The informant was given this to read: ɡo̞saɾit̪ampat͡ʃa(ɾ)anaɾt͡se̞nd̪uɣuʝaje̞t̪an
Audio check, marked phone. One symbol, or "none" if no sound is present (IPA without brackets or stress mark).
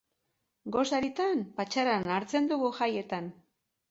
ɾ